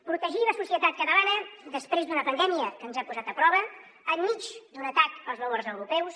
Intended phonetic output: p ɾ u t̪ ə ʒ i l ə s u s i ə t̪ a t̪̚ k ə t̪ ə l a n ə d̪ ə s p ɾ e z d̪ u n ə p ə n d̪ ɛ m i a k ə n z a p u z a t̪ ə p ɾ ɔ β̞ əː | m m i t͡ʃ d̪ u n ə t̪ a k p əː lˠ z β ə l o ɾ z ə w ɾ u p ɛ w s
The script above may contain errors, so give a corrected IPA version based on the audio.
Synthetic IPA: p ɾ u t̪ ə ʒ i l ə s u s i ə t̪ a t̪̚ k ə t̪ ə l a n ə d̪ ə s p ɾ e z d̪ u n ə p ə n d̪ ɛ m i ə k ə n z a p u z a t̪ ə p ɾ ɔ β̞ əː | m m i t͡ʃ d̪ u n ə t̪ a k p ə lˠ z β ə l o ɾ z ə w ɾ u p ɛ w s